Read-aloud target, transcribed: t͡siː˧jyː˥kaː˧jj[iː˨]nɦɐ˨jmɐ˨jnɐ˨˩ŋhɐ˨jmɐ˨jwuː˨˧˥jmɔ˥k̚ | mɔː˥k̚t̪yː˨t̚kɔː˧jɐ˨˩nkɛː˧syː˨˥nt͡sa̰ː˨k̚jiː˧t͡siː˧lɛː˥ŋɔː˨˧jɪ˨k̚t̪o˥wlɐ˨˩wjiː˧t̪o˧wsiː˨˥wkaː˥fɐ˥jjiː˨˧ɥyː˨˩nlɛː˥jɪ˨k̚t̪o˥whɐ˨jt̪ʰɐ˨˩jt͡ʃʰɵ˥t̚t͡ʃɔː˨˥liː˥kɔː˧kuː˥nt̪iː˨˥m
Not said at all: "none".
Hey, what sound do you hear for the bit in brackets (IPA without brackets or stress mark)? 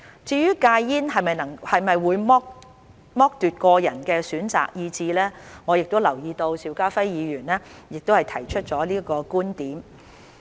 iː˥